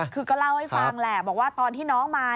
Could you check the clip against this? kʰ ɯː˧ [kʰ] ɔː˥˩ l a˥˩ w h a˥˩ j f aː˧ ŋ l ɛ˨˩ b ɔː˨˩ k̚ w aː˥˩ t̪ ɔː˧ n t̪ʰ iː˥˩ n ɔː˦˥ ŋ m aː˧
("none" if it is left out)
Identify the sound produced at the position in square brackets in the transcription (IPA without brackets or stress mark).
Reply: k